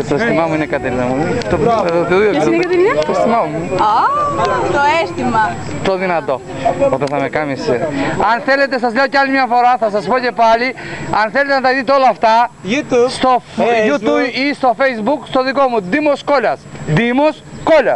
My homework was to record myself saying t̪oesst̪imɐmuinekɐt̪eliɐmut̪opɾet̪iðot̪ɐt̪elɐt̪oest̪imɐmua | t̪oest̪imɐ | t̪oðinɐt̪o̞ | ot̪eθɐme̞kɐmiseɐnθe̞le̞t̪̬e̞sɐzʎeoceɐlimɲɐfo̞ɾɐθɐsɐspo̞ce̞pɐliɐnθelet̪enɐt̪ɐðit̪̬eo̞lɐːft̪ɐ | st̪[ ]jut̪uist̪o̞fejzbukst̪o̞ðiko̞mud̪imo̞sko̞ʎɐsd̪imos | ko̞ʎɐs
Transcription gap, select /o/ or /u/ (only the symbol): o